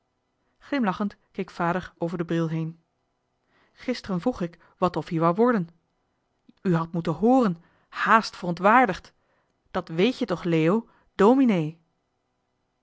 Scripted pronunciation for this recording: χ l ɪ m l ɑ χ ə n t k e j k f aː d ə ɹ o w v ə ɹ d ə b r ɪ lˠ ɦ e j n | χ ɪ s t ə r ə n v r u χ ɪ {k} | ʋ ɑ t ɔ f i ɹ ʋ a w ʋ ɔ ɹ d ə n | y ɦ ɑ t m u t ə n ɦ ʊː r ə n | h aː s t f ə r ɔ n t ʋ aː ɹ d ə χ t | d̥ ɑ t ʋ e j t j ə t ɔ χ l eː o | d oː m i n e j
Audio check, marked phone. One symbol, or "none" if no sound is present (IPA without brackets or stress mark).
k